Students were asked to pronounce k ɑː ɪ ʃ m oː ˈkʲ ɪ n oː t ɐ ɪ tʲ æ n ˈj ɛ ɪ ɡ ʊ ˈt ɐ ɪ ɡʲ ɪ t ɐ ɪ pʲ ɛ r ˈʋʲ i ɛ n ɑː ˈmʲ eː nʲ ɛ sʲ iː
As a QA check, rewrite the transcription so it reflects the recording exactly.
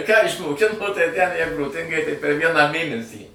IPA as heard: k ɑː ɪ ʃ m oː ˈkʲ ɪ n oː t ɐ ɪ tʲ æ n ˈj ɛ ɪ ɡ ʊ ˈt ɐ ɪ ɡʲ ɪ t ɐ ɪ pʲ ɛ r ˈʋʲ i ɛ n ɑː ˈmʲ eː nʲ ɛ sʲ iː